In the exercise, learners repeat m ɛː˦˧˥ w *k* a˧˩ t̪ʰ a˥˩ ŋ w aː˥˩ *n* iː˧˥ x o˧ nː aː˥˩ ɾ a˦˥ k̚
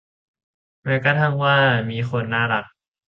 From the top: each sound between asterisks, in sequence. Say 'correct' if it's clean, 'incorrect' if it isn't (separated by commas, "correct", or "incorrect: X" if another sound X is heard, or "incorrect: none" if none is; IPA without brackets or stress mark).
correct, incorrect: m